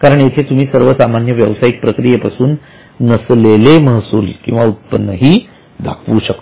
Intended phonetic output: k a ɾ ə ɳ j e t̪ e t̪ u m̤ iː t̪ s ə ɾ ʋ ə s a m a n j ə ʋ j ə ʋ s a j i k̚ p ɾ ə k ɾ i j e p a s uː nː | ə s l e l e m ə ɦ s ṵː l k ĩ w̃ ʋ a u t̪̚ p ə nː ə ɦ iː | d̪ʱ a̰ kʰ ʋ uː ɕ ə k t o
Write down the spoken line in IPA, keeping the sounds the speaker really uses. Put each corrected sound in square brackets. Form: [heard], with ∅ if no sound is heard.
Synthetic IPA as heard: k a ɾ ə ɳ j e [t̪ʰ] e t̪ u m̤ iː [∅] s ə ɾ ʋ ə s a m a n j ə ʋ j ə ʋ s a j i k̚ p ɾ ə k ɾ i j e p a s uː nː | ə s l e l e m ə ɦ s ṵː l k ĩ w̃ ʋ a u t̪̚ p ə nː ə ɦ iː | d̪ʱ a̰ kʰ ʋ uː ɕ ə k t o